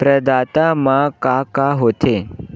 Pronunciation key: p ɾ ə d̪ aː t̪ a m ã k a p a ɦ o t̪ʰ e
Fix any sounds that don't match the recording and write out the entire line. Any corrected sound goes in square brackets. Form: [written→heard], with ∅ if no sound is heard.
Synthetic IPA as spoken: p ɾ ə d̪ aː t̪ a m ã k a [p→k] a ɦ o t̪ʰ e

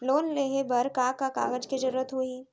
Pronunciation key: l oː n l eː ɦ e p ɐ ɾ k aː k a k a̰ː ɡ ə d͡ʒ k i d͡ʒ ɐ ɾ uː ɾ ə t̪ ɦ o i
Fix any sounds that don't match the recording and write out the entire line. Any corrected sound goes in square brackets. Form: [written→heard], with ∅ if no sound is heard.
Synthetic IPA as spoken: l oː n l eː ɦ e [p→b] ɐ ɾ k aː k a k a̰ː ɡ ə d͡ʒ k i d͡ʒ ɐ ɾ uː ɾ ə t̪ ɦ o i

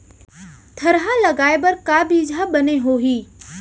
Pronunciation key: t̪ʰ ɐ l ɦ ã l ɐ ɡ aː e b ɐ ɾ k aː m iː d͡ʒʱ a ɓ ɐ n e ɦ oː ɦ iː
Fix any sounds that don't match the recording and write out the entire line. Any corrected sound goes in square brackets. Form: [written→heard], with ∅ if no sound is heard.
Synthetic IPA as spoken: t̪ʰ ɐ [l→ɾ] ɦ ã l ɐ ɡ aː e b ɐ ɾ k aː [m→b] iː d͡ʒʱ a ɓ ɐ n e ɦ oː ɦ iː

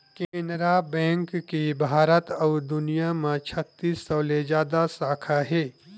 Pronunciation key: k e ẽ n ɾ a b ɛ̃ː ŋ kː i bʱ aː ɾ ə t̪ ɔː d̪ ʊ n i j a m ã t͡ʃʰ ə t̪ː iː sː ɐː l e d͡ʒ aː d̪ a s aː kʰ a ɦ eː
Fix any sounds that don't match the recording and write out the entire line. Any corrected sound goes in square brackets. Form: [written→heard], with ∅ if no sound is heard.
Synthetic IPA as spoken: k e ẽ n ɾ a b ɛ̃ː ŋ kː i bʱ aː ɾ ə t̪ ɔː d̪ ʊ n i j a m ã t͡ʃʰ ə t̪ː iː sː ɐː l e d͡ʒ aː d̪ a s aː kʰ a ɦ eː

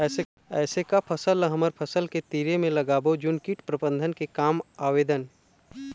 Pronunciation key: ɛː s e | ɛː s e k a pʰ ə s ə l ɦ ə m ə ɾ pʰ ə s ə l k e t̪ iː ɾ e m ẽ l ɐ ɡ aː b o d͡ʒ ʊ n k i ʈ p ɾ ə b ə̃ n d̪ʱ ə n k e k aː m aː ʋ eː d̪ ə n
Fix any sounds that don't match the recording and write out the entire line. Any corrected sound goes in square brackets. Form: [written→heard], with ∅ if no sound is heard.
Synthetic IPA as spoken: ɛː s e | ɛː s e k a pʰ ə s ə l ɦ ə m ə ɾ pʰ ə s ə l k e t̪ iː ɾ e m ẽ l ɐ ɡ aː b o d͡ʒ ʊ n k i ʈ p ɾ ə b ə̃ n d̪ʱ ə n k e k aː m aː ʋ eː d̪ ə n

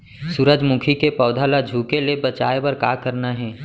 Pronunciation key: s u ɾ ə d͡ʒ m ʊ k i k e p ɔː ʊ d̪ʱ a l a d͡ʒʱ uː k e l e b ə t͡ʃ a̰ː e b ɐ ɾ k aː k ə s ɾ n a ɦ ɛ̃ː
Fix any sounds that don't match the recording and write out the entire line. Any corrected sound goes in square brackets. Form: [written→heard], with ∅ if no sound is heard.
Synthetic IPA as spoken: s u ɾ ə d͡ʒ m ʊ [k→kʰ] i k e p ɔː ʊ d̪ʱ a l a d͡ʒʱ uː k e l e b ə t͡ʃ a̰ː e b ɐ ɾ k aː k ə [s→∅] ɾ n a ɦ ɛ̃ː

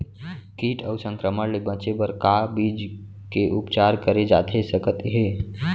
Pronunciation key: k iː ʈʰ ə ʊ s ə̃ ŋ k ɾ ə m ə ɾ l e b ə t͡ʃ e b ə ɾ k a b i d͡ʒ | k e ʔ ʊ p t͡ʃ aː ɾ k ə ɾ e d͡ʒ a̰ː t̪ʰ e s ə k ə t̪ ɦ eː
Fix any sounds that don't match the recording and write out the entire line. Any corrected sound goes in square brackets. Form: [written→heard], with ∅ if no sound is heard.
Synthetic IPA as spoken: k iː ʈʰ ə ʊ s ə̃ ŋ k ɾ ə m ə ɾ l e b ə t͡ʃ e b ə ɾ k a b i d͡ʒ | k e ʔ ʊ p t͡ʃ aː ɾ k ə ɾ e d͡ʒ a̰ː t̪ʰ e s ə k ə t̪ ɦ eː

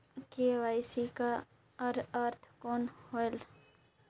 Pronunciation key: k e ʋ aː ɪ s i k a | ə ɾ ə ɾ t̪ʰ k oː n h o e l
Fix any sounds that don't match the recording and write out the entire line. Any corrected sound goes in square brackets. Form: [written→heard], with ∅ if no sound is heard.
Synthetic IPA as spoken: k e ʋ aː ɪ s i k a | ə ɾ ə ɾ t̪ʰ k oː n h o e l

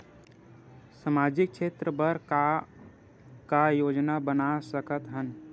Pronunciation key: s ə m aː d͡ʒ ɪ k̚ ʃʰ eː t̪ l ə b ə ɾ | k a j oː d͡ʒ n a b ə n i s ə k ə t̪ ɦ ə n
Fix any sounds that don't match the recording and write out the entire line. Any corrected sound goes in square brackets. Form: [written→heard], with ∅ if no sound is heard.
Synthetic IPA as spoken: s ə m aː d͡ʒ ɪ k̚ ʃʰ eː t̪ [l→ɾ] ə b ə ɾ | k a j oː d͡ʒ n a b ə n [i→a] s ə k ə t̪ ɦ ə n

